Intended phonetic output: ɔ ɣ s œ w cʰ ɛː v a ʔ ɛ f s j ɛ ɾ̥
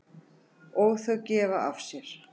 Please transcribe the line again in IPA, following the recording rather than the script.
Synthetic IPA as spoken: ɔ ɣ θ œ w c ɛː v a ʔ a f s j ɛ ɾ̥